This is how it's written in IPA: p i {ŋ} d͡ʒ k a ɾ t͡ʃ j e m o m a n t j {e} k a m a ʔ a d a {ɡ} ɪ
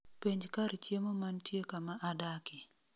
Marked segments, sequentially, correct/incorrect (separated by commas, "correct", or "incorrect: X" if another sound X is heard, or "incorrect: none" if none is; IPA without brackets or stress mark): incorrect: ɲ, correct, incorrect: k